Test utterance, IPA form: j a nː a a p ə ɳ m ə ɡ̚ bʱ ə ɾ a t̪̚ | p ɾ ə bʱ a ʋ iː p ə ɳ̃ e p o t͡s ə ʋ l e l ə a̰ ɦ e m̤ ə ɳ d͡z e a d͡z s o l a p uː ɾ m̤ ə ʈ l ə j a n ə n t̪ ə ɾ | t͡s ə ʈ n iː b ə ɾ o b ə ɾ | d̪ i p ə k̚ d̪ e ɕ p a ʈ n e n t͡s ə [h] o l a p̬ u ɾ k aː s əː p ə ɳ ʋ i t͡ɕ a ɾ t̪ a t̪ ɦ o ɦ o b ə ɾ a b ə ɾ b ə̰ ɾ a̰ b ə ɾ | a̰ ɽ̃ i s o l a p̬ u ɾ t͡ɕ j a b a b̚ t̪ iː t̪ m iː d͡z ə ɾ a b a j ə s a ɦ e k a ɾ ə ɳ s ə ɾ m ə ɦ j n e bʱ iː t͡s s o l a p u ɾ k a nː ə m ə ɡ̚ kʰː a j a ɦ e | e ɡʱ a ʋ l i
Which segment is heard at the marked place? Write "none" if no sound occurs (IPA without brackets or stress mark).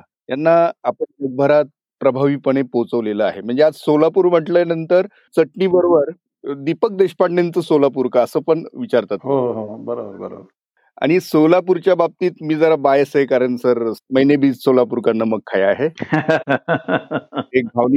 s